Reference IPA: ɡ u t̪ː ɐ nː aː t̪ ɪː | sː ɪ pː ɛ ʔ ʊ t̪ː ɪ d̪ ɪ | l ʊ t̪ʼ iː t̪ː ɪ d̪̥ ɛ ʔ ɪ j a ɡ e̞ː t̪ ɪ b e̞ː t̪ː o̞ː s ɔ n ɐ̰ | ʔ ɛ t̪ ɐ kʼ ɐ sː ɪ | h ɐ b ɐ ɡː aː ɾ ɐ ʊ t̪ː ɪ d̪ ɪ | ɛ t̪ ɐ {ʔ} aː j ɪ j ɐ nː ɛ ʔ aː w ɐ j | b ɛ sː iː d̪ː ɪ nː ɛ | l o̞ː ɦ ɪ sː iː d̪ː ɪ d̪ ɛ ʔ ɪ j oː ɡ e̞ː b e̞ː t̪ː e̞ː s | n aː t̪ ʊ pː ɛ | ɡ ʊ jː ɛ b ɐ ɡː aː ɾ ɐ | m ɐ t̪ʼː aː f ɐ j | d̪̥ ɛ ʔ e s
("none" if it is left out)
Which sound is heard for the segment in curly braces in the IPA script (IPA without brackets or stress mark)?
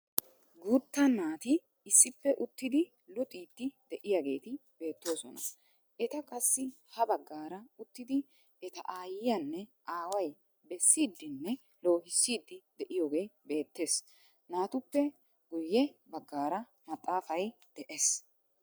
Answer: ʔ